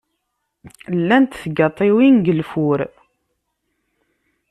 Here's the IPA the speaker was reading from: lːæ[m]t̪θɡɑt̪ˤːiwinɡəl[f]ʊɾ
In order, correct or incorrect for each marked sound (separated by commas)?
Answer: incorrect, correct